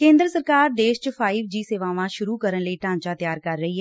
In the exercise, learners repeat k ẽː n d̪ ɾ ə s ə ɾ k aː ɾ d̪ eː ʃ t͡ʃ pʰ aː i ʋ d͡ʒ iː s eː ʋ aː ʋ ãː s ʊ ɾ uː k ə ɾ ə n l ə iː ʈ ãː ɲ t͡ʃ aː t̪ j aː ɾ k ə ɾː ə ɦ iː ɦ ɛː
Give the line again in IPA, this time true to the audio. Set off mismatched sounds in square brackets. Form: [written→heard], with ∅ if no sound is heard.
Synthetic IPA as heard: k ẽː n d̪ ɾ ə s ə ɾ k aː ɾ d̪ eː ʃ t͡ʃ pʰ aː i ʋ d͡ʒ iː s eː ʋ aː ʋ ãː [s→ʃ] ʊ ɾ uː k ə ɾ ə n l ə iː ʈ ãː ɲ t͡ʃ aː t̪ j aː ɾ k ə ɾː ə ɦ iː ɦ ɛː

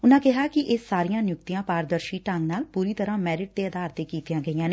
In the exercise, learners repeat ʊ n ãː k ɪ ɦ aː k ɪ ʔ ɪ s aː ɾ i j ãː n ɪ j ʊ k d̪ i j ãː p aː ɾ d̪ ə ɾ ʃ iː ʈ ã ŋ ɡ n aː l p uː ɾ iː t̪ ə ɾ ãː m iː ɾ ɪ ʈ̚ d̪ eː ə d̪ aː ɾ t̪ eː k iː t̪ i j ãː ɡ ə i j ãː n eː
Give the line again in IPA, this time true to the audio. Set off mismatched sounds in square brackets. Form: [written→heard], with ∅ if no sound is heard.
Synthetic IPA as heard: ʊ n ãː k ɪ ɦ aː k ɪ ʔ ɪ s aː ɾ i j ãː n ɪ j ʊ k [d̪→t̪] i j ãː p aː ɾ d̪ ə ɾ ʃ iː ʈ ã ŋ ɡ n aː l p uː ɾ iː t̪ ə ɾ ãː m [iː→ɛː] ɾ ɪ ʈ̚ d̪ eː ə d̪ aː ɾ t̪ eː k iː t̪ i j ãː ɡ ə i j ãː n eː

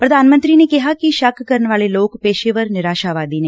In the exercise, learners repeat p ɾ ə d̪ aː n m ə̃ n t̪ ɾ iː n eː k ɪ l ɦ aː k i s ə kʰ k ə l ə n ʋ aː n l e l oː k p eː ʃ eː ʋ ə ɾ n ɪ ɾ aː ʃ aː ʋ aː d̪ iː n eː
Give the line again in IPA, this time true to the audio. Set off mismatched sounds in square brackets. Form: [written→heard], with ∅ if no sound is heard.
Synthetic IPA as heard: p ɾ ə d̪ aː n m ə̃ n t̪ ɾ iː n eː k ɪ [l→∅] ɦ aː k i [s→ʃ] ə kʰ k ə [l→ɾ] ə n ʋ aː [n→∅] l e l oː k p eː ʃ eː ʋ ə ɾ n ɪ ɾ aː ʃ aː ʋ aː d̪ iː n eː

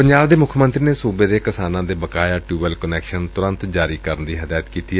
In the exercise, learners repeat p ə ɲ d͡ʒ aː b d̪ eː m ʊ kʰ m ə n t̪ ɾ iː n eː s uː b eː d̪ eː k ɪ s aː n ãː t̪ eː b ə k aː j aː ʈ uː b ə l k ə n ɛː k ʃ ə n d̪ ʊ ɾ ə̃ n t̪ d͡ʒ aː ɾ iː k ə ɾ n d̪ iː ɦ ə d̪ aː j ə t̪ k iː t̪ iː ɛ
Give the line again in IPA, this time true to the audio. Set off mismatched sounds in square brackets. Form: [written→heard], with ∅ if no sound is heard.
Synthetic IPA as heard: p ə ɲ d͡ʒ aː b d̪ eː m ʊ kʰ m ə n t̪ ɾ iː n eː s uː b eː d̪ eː k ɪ s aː n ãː [t̪→d̪] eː b ə k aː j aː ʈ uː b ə l k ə n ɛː k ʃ ə n [d̪→t̪] ʊ ɾ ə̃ n t̪ d͡ʒ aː ɾ iː k ə ɾ n d̪ iː ɦ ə d̪ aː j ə t̪ k iː t̪ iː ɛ

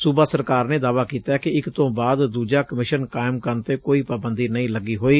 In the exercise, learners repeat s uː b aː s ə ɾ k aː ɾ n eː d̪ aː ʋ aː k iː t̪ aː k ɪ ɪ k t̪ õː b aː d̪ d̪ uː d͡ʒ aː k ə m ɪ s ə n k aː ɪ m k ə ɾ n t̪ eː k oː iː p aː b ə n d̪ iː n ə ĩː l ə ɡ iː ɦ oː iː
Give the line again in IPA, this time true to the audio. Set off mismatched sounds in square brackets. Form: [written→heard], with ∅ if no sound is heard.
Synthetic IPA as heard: s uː b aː s ə ɾ k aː ɾ n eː d̪ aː ʋ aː k iː t̪ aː k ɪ ɪ k t̪ õː b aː d̪ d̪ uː d͡ʒ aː k ə m ɪ [s→ʃ] ə n k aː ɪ m k ə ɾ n t̪ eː k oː iː p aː b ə n d̪ iː n ə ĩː l ə ɡ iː ɦ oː iː

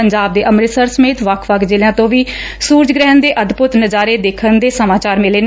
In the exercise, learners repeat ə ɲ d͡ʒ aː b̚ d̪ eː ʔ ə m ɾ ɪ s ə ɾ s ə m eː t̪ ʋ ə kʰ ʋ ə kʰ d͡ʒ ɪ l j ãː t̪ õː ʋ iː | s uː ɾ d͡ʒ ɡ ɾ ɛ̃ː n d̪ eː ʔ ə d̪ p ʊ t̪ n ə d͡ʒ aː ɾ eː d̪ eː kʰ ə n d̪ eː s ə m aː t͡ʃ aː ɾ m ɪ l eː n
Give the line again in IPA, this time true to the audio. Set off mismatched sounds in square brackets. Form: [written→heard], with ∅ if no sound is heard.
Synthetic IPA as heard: ə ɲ d͡ʒ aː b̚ d̪ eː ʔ ə m ɾ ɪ s ə ɾ s ə m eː t̪ ʋ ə kʰ ʋ ə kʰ d͡ʒ ɪ l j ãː t̪ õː ʋ iː | s uː ɾ d͡ʒ ɡ ɾ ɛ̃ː n d̪ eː ʔ ə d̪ p ʊ t̪ n ə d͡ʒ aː ɾ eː d̪ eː kʰ ə n d̪ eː s ə m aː t͡ʃ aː ɾ m ɪ l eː n

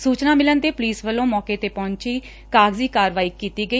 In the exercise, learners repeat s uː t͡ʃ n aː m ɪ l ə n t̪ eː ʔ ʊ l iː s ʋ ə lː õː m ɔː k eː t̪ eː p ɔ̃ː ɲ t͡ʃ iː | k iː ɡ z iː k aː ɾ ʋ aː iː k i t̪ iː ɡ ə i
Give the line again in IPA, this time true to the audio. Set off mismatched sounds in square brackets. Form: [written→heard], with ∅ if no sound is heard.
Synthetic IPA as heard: s uː t͡ʃ n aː m ɪ l ə n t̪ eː [ʔ→p] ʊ l iː s ʋ ə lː õː m ɔː k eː t̪ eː p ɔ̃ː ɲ t͡ʃ iː | k [iː→aː] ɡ z iː k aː ɾ ʋ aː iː k [i→iː] t̪ iː ɡ ə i

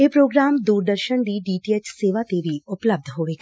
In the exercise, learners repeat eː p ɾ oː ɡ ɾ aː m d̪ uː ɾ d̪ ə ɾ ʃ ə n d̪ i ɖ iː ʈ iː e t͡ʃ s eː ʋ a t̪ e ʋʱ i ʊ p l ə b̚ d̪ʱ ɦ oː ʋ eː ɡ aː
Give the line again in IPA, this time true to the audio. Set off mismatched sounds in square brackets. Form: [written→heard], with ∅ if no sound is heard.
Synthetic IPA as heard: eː p ɾ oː ɡ ɾ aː m d̪ uː ɾ d̪ ə ɾ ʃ ə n d̪ i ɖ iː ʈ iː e t͡ʃ s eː ʋ a t̪ e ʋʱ i ʊ p l ə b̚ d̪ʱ ɦ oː ʋ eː ɡ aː

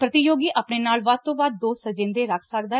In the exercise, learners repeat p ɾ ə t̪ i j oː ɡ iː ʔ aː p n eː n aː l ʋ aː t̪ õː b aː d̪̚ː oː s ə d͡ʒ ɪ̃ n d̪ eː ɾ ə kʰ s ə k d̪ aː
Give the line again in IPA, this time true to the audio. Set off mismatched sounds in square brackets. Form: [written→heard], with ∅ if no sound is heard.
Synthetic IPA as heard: p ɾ ə t̪ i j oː ɡ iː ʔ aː p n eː n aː l ʋ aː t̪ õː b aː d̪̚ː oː s ə d͡ʒ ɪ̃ n d̪ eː ɾ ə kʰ s ə k d̪ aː

